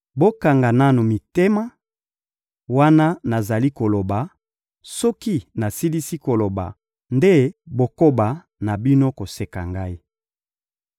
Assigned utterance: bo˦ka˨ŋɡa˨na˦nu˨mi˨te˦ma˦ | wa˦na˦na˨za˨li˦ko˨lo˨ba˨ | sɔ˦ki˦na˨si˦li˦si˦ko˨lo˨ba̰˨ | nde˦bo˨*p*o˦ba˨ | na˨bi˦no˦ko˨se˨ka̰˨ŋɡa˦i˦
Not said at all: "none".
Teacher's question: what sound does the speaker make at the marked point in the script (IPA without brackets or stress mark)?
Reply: k